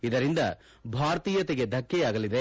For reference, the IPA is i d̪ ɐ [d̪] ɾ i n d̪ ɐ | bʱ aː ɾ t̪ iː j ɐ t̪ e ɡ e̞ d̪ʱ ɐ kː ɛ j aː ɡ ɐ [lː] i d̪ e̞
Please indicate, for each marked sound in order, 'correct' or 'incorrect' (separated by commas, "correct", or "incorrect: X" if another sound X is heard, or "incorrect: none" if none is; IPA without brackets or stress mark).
incorrect: none, incorrect: l